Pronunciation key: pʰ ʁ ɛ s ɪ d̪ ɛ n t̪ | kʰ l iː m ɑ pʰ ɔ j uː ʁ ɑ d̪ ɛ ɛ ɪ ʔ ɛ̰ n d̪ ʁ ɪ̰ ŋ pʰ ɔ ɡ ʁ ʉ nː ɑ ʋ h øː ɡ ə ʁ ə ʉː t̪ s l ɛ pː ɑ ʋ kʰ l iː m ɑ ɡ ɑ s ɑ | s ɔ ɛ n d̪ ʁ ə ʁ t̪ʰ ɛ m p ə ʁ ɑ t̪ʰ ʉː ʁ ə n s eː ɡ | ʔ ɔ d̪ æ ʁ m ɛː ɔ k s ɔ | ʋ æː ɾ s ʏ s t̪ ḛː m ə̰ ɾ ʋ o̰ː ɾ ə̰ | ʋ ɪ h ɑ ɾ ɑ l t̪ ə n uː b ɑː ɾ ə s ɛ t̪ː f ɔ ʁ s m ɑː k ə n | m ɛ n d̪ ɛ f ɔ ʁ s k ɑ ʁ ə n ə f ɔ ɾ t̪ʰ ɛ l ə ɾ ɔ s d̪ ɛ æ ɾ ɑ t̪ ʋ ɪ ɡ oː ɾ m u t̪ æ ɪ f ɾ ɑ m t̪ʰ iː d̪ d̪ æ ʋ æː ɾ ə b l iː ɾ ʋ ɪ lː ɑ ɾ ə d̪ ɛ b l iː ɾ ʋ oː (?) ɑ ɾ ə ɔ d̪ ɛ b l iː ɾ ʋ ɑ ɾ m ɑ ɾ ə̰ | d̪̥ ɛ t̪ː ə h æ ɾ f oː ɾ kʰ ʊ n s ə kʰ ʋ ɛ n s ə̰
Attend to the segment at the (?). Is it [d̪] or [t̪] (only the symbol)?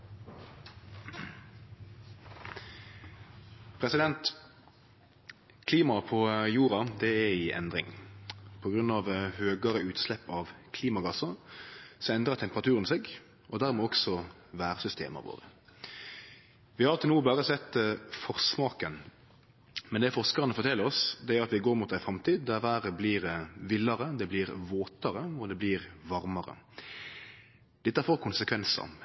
t̪